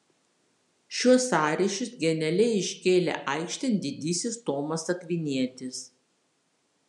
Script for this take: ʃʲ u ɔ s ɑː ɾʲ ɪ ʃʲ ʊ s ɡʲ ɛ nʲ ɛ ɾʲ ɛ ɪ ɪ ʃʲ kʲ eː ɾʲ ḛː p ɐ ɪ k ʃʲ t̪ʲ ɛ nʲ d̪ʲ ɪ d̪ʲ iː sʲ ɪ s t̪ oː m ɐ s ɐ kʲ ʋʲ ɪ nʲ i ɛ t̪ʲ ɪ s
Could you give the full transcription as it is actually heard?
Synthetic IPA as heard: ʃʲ u ɔ s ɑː ɾʲ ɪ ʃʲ ʊ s ɡʲ ɛ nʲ ɛ lʲ ɛ ɪ ɪ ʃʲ kʲ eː lʲ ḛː ʔ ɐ ɪ k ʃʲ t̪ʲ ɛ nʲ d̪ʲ ɪ d̪ʲ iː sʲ ɪ s t̪ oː m ɐ s ɐ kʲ ʋʲ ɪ nʲ i ɛ t̪ʲ ɪ s